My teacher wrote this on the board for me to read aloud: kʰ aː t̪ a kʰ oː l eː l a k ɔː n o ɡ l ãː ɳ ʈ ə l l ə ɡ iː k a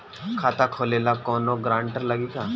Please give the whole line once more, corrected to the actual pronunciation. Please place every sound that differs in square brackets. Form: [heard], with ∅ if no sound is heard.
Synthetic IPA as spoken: kʰ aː t̪ a kʰ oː l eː l a k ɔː n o ɡ [ɾ] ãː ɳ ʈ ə [ɾ] l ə ɡ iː k a

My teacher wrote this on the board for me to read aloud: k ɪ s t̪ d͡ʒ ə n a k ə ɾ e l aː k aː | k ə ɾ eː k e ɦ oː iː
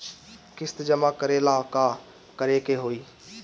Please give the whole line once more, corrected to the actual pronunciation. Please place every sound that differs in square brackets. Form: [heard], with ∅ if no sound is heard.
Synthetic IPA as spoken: k ɪ s t̪ d͡ʒ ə [m] a k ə ɾ e l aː k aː | k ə ɾ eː k e ɦ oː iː

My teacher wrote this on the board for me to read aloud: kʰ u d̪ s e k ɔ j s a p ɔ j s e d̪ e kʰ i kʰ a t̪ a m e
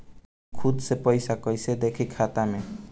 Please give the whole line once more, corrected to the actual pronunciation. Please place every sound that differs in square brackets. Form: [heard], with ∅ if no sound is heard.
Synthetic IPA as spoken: kʰ u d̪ s e [p] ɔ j s a [k] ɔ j s e d̪ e kʰ i kʰ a t̪ a m e

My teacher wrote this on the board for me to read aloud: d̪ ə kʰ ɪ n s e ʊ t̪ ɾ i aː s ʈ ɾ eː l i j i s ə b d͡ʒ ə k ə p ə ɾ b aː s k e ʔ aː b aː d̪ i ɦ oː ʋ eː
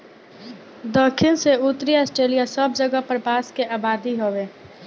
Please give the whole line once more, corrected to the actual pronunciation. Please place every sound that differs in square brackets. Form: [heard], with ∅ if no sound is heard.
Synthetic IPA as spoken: d̪ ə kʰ ɪ n s e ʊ t̪ ɾ i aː s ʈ ɾ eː l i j [a] s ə b d͡ʒ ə [ɡ] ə p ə ɾ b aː s k e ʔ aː b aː d̪ i ɦ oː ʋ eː

